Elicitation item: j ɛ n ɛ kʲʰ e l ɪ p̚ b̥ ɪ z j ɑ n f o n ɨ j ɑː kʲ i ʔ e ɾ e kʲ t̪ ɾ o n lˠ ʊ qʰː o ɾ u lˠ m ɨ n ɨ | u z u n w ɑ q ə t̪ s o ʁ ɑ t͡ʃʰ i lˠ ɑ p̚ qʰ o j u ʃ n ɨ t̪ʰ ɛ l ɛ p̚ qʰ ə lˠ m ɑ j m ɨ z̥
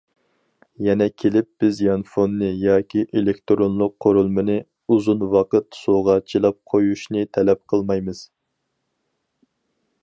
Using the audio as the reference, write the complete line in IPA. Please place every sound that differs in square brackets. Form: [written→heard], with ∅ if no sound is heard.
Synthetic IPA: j ɛ n ɛ kʲʰ e l ɪ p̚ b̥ ɪ z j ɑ n f o [n→nː] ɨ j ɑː kʲ i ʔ e [ɾ→l] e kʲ t̪ ɾ o n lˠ ʊ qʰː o ɾ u lˠ m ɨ n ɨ | u z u n w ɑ q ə t̪ s o ʁ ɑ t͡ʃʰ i lˠ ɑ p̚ qʰ o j u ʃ n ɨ t̪ʰ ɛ l ɛ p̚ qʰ ə lˠ m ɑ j m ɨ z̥